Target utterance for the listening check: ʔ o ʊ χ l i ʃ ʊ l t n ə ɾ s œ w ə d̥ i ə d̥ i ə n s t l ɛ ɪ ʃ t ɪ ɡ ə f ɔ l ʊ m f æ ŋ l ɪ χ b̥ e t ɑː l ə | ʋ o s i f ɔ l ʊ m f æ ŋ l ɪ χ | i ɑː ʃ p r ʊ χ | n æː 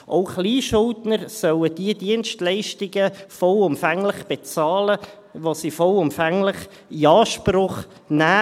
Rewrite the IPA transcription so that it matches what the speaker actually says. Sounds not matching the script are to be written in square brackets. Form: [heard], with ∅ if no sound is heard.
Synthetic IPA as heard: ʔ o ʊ χ l [iː] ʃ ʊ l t n ə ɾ s œ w ə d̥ i ə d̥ i ə n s t l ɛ ɪ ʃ t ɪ ɡ ə f ɔ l ʊ m f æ ŋ l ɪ χ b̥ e [t͡s] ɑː l ə | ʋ o s i f ɔ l ʊ m f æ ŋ l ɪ χ | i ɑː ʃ p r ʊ χ | n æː

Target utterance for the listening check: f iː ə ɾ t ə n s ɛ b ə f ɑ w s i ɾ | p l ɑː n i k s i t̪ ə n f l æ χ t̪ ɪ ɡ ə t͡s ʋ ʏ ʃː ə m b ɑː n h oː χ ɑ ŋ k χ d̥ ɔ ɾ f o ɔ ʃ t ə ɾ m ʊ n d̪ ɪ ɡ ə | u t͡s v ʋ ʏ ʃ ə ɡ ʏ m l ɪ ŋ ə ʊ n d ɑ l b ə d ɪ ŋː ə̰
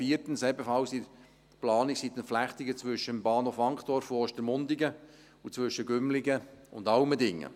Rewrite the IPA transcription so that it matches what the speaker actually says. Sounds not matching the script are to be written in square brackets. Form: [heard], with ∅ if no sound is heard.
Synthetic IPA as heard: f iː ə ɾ t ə n s ɛ b ə f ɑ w s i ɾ | p l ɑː n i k s i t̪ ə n f l æ χ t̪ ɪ ɡ ə t͡s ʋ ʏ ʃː ə m b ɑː n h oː [f] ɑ ŋ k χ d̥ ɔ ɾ f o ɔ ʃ t ə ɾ m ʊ n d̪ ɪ ɡ ə | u t͡s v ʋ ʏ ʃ ə ɡ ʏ m l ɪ [ɡ] ə ʊ n d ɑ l [m] ə d ɪ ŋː ə̰

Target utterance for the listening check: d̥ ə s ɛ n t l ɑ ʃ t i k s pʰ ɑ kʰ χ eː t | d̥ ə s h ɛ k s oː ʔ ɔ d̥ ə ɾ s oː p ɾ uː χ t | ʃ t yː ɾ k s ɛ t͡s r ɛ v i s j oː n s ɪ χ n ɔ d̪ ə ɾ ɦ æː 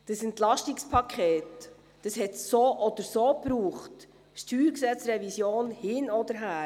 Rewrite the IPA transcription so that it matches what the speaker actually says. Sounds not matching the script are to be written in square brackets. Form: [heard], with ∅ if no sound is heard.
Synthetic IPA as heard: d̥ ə s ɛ n t l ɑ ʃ t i k s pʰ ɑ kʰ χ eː t | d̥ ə s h ɛ [t] s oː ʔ ɔ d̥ ə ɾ s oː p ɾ uː χ t | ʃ t yː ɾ k s ɛ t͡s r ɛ v i s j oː n [h] ɪ [∅] n ɔ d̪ ə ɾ ɦ æː

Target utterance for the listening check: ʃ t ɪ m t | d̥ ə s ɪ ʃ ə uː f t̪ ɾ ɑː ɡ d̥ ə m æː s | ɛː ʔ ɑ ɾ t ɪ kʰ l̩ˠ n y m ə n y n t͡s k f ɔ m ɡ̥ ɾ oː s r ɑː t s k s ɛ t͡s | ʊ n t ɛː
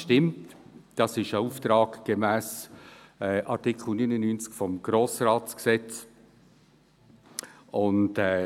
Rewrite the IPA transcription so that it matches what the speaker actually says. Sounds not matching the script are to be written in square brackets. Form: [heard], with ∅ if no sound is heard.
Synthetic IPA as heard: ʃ t ɪ m t | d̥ [ɑ] s ɪ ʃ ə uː f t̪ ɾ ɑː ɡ [ɡ̥] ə m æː s | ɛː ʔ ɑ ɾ t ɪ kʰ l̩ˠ n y [n] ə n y n t͡s k f ɔ m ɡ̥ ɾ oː s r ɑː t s k s ɛ t͡s | ʊ n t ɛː

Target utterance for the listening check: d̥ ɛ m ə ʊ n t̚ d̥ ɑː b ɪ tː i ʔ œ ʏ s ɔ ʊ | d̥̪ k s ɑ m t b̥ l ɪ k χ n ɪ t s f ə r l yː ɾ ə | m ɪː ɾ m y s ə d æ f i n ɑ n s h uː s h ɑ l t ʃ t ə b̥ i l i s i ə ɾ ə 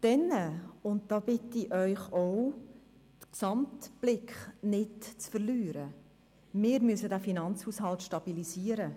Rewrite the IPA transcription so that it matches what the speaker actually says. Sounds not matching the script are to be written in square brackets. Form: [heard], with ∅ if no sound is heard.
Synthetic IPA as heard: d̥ ɛ [n] ə ʊ n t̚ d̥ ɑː b ɪ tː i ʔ œ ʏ [χ] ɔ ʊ | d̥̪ k s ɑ m t b̥ l ɪ k χ n ɪ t [t͡s] f ə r l yː ɾ ə | m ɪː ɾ m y s ə d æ f i n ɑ n [t͡s] h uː s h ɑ l t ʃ t [ɑ] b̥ i l i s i ə ɾ ə

